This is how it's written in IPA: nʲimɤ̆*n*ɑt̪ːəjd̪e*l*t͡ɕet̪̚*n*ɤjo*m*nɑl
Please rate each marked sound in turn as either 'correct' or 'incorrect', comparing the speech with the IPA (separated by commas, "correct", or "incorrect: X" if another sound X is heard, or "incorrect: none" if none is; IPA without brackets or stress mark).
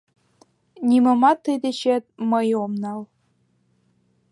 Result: incorrect: m, incorrect: none, incorrect: m, correct